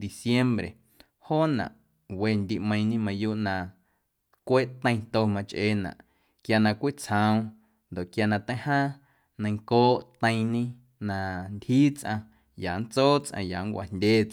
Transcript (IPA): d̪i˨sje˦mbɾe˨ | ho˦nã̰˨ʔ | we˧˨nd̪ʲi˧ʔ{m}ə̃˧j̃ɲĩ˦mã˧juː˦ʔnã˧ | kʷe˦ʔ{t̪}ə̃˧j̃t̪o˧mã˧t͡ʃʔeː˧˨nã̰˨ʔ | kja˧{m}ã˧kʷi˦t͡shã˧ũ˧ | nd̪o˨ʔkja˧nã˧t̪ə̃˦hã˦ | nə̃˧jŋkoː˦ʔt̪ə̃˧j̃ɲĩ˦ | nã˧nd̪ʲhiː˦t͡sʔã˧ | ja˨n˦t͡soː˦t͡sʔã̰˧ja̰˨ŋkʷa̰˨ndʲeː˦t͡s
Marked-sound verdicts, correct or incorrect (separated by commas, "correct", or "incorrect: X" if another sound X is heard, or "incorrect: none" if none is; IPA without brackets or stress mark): correct, correct, incorrect: n